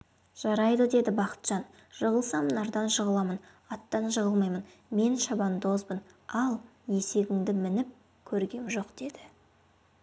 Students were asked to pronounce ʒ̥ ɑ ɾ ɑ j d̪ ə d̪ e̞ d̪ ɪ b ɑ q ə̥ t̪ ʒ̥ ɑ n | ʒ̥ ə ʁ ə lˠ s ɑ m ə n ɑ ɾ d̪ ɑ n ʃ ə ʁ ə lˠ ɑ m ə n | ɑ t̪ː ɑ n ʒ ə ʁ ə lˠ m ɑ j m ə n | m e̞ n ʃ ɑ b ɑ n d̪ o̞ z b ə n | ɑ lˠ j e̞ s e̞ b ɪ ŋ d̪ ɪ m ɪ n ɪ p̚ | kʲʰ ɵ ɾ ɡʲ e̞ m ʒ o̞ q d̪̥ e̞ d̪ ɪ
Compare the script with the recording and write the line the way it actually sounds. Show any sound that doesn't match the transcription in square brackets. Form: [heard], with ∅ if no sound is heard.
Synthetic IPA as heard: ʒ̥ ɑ ɾ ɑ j d̪ ə d̪ e̞ d̪ ɪ b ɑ q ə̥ t̪ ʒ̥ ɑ n | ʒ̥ ə ʁ ə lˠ s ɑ m ə n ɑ ɾ d̪ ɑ n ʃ ə ʁ ə lˠ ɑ m ə n | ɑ t̪ː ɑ n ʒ ə ʁ ə lˠ m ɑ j m ə n | m e̞ n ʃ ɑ b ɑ n d̪ o̞ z b ə n | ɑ lˠ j e̞ s e̞ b ɪ ŋ d̪ ɪ m ɪ n ɪ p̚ | kʲʰ ɵ ɾ ɡʲ e̞ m ʒ o̞ q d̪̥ e̞ d̪ ɪ